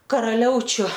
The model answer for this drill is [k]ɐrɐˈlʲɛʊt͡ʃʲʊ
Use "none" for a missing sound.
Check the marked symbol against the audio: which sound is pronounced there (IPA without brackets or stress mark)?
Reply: k